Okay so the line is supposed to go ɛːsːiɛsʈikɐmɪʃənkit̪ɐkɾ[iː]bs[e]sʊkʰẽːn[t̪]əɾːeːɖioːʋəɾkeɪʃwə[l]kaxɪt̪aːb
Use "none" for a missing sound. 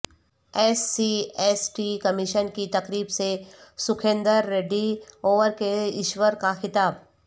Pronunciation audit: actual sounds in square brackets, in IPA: iː, e, d̪, ɾ

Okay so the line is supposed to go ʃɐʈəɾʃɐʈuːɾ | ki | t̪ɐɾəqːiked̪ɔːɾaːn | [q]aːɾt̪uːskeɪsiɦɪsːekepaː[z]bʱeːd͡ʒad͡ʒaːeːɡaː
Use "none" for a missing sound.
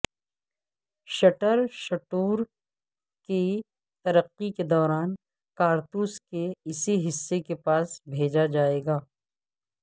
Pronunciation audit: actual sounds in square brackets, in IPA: k, s

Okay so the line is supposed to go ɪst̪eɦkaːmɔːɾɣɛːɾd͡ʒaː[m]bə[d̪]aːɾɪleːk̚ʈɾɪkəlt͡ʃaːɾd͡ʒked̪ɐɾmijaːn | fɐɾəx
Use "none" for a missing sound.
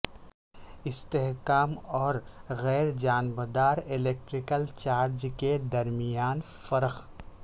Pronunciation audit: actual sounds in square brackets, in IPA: n, d̪

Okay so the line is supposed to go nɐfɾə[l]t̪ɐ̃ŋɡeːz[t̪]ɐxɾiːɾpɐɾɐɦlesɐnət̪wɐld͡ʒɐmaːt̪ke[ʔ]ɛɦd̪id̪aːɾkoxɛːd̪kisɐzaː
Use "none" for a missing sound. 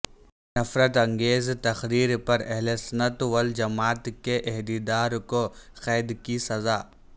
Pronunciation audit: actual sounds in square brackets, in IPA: none, t̪, ʔ

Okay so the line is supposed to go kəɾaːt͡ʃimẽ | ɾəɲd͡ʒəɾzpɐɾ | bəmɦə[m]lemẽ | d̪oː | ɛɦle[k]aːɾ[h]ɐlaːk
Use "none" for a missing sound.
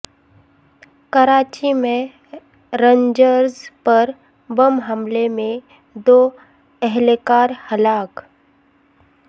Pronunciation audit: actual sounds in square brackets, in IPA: m, k, h

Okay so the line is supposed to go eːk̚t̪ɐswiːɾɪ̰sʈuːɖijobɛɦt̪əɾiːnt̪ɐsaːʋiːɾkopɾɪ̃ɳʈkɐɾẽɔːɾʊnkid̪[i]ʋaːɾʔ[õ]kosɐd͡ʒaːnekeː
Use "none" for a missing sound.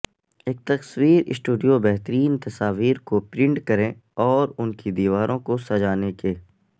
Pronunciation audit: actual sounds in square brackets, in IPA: iː, õ

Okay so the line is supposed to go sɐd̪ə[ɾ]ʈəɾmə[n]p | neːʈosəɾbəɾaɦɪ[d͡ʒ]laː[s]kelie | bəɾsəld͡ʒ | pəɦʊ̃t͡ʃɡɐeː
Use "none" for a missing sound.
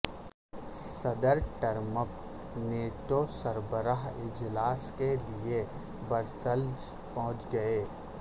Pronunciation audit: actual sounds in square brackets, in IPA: ɾ, none, d͡ʒ, s

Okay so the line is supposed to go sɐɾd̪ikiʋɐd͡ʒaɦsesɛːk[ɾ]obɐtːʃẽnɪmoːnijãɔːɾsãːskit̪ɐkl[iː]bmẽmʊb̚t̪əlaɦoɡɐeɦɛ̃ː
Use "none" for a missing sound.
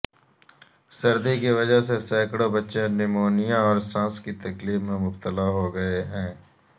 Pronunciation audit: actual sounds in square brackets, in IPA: ɽ, iː

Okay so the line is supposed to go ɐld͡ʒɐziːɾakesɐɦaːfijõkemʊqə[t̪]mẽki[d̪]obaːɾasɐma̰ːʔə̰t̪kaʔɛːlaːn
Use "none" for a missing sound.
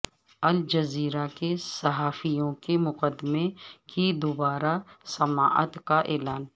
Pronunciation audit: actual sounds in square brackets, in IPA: d̪, d̪

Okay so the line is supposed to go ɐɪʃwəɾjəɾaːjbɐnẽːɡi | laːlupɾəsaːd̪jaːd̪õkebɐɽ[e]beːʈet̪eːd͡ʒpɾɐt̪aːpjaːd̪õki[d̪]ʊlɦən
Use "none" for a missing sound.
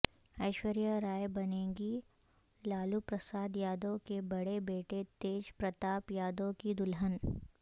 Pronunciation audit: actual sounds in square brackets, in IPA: e, d̪

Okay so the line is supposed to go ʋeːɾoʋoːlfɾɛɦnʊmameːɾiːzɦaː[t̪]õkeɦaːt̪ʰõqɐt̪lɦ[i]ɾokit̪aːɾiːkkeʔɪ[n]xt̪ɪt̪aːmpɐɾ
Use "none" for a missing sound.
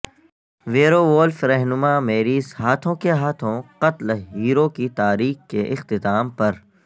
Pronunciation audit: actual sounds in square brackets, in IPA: t̪ʰ, iː, none

